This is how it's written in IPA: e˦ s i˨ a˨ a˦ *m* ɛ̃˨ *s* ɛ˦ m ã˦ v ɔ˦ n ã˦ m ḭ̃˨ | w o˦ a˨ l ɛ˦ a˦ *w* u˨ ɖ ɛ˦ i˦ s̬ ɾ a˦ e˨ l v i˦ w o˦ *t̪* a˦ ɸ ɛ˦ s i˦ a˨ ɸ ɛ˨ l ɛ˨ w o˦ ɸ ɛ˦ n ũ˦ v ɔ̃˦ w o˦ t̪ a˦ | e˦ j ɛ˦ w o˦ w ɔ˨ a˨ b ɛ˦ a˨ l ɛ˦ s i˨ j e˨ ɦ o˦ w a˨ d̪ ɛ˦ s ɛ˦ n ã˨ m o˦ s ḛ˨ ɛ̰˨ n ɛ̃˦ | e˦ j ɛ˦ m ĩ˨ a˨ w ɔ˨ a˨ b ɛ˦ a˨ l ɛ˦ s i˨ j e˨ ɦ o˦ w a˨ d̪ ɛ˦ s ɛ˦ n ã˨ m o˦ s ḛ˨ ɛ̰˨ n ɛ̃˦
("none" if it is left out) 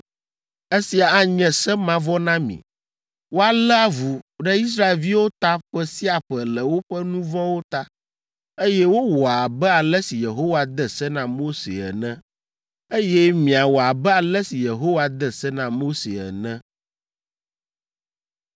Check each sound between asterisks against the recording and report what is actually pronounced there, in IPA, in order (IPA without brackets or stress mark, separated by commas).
ɲ, s, v, t̪